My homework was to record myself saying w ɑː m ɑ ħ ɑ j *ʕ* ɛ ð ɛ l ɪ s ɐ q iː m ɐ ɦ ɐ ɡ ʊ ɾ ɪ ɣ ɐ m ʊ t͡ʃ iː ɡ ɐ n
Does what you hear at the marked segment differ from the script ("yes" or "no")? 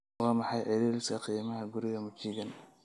no